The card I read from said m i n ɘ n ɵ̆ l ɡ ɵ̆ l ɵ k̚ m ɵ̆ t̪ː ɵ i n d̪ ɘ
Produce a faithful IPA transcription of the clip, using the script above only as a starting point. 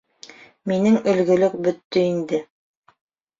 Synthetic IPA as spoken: m i n ɘ ŋ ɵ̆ l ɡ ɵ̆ l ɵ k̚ b ɵ̆ t̪ː ɵ i n d̪ ɘ